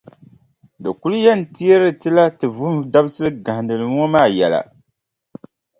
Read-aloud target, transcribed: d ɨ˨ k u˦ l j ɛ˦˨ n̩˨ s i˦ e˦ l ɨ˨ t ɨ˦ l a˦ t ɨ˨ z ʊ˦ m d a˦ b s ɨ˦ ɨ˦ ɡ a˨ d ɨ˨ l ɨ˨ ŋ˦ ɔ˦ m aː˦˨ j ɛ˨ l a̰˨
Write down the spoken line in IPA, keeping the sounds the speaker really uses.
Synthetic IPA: d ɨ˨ k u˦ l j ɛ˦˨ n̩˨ t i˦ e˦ ɾ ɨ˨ t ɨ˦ l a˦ t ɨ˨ v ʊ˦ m d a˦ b s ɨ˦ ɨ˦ ɡ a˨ d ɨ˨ l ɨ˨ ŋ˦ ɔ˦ m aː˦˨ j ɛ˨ l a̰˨

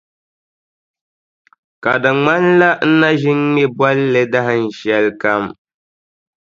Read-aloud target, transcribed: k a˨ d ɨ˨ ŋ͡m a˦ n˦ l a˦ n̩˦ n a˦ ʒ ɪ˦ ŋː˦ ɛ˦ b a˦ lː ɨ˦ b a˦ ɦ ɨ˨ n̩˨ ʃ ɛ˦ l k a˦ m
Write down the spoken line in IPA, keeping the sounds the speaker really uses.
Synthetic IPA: k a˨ d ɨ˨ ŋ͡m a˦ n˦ l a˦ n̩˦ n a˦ ʒ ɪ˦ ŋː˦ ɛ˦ b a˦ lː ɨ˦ d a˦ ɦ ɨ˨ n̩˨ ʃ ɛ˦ l k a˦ m

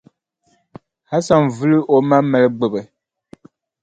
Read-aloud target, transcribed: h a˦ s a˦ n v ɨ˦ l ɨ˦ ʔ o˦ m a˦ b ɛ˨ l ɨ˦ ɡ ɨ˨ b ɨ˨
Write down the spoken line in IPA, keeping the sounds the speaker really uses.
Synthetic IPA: h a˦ s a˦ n v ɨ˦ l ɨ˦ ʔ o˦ m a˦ m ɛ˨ l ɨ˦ ɡ͡b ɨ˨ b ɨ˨

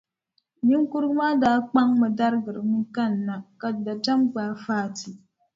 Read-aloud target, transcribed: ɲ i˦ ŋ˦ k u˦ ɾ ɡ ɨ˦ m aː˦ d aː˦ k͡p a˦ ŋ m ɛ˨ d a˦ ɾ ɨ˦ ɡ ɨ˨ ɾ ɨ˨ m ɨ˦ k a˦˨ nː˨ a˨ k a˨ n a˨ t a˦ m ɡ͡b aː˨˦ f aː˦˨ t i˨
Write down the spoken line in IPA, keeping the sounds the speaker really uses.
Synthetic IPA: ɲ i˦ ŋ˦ k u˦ ɾ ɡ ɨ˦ m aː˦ d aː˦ k͡p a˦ ŋ m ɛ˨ d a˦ ɾ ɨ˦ ɡ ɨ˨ ɾ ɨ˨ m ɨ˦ k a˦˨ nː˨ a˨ k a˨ d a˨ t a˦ m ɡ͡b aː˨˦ f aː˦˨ t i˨

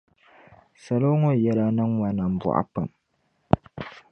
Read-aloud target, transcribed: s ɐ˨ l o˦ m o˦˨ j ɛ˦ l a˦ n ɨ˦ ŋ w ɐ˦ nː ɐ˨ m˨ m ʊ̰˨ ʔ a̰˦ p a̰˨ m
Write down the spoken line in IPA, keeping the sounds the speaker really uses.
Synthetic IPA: s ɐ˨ l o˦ ŋ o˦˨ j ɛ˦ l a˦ n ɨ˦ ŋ w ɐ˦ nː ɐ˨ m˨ b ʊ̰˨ ʔ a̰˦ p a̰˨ m

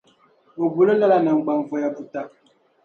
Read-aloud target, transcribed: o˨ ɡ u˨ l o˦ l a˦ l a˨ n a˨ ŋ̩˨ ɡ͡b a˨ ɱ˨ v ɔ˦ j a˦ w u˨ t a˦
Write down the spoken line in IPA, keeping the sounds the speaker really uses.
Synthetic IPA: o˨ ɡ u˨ l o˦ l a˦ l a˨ n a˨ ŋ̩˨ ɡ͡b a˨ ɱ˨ v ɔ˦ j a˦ b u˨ t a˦

